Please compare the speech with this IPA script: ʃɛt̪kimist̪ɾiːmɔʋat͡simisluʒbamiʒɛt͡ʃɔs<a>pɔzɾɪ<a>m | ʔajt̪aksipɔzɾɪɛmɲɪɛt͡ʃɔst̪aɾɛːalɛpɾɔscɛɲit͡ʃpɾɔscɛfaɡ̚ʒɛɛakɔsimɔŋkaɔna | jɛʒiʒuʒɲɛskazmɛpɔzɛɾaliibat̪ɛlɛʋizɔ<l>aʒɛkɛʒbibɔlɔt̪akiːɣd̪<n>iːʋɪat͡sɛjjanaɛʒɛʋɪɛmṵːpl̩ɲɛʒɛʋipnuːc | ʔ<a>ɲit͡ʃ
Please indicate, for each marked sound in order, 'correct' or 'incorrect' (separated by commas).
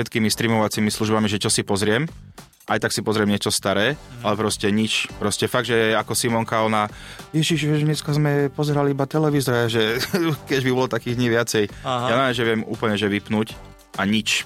incorrect, incorrect, incorrect, incorrect, correct